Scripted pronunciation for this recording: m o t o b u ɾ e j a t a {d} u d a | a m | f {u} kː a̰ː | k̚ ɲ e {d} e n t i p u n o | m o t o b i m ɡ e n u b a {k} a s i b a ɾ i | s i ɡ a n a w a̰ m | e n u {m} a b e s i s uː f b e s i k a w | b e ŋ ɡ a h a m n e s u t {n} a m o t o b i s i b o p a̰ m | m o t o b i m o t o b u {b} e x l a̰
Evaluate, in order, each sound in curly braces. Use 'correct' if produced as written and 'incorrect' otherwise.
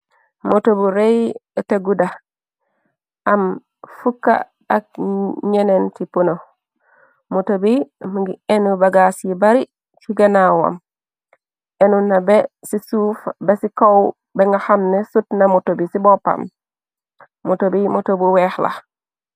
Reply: incorrect: ɡ, correct, incorrect: n, incorrect: ɡ, incorrect: n, correct, incorrect: w

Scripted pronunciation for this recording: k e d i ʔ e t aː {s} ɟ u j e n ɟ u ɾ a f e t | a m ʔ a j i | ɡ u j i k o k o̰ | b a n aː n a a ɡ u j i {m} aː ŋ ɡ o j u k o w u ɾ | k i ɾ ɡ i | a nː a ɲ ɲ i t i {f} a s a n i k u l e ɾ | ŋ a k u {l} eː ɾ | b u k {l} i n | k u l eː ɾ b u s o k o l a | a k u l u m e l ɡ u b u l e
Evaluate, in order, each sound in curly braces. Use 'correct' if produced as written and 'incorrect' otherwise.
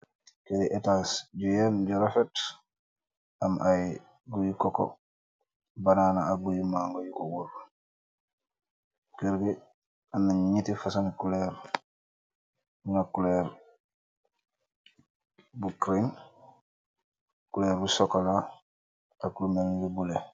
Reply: correct, correct, correct, correct, incorrect: ɾ

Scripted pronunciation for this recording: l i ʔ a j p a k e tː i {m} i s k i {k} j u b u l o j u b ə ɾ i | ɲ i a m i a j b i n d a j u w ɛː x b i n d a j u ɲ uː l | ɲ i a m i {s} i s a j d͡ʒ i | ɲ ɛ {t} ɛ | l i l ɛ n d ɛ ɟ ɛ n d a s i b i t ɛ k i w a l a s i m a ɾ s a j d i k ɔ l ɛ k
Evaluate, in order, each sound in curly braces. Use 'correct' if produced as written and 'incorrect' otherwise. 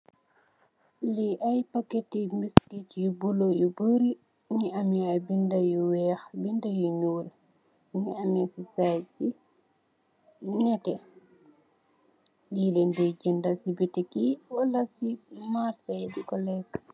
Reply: correct, incorrect: t, correct, correct

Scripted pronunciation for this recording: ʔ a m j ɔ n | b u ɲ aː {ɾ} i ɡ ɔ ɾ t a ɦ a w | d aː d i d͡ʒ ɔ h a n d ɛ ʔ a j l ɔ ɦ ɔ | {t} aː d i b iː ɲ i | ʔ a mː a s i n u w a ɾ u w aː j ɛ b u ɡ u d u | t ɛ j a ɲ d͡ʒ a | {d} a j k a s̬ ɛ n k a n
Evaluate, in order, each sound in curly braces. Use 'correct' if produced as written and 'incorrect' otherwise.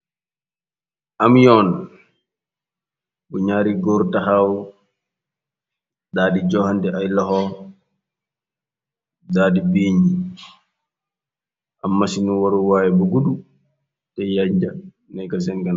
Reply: correct, incorrect: d, incorrect: n

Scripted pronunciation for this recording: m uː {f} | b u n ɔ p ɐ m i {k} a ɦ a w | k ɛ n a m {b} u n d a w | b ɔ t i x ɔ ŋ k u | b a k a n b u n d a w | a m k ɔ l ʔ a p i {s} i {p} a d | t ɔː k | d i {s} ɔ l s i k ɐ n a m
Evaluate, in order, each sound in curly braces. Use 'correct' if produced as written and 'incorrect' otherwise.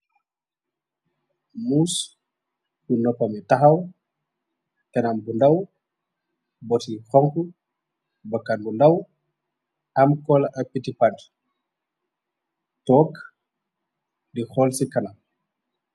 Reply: incorrect: s, incorrect: t, correct, incorrect: t, correct, incorrect: x

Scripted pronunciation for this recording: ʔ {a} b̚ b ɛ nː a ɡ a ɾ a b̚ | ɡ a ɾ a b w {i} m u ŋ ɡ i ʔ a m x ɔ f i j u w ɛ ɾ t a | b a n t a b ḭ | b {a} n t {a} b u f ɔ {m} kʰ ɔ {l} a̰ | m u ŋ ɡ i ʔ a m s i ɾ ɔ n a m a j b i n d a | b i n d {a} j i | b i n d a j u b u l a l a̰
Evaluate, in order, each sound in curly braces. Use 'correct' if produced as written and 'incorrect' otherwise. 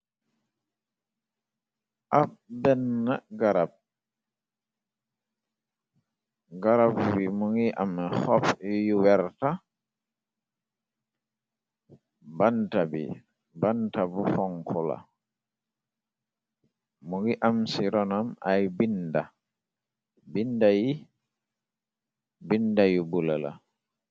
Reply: correct, correct, correct, correct, incorrect: ŋ, correct, correct

